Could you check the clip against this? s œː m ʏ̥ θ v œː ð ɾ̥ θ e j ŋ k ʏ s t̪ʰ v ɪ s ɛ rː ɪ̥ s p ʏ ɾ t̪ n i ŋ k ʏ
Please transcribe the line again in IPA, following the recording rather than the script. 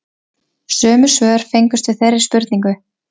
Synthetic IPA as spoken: s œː m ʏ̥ s v œː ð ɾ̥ f e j ŋ k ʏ s t̪ v ɪ θ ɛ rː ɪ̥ s p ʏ ɾ t̪ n i ŋ k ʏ